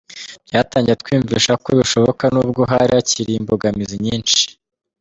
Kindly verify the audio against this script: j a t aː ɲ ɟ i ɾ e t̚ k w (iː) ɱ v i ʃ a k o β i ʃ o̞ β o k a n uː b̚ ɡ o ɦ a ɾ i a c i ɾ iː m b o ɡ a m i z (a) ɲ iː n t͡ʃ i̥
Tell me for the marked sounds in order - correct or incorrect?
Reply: correct, incorrect: i

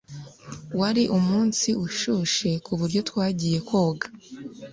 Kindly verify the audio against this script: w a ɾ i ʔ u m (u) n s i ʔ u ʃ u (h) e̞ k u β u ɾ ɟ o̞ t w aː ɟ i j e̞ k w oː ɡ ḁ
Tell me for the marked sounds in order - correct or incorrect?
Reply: incorrect: uː, incorrect: ʃ

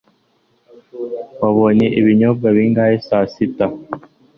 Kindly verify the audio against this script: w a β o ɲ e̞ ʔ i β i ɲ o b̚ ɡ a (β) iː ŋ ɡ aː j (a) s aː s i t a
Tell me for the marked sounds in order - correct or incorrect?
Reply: correct, incorrect: e

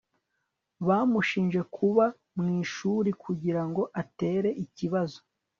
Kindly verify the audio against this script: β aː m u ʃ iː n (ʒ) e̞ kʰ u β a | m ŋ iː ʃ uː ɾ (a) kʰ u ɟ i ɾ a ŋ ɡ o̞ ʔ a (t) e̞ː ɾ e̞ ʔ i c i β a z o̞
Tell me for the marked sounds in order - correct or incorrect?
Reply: correct, incorrect: i, correct

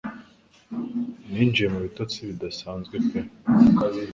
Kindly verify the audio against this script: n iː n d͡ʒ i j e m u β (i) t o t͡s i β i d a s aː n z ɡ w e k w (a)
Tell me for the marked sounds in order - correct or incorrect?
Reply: correct, incorrect: e

